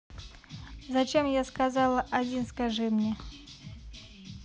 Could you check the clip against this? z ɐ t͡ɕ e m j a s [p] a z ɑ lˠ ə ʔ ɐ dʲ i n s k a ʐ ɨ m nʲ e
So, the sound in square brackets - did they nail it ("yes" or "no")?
no